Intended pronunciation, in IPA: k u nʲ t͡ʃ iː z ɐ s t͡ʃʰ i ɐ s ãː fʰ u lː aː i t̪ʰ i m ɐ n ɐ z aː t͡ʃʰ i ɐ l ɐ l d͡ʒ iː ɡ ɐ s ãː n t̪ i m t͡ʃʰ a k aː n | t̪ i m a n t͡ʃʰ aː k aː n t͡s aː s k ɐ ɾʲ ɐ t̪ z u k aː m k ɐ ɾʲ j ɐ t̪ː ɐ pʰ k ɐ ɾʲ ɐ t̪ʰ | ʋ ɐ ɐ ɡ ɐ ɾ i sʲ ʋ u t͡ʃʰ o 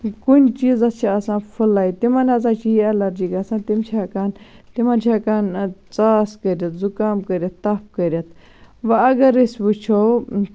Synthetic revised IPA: k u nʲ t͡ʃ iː z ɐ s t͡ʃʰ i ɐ s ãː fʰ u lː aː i t̪ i m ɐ n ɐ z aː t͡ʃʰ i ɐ l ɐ ɾ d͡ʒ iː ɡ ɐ s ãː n t̪ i m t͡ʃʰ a k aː n | t̪ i m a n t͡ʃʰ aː k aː n t͡s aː s k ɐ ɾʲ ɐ t̪ z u k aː m k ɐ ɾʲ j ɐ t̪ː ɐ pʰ k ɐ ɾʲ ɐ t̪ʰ | ʋ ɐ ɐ ɡ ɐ ɾ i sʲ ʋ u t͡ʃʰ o